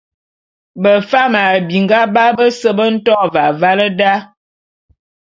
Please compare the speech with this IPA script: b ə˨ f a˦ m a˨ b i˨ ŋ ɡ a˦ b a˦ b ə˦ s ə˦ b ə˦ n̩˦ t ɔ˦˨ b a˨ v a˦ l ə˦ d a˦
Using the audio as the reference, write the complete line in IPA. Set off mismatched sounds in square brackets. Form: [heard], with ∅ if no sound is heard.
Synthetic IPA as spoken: b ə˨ f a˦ m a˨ b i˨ ŋ ɡ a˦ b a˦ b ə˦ s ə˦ b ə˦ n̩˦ t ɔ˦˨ [v] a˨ v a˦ l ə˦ d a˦